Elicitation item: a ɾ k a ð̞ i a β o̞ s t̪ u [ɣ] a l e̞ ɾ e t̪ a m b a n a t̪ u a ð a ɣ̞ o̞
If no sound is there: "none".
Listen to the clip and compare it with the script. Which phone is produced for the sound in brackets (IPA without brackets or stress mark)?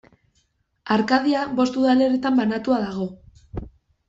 ð